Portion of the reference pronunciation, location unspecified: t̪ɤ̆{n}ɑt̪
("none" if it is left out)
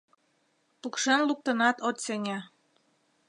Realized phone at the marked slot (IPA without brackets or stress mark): n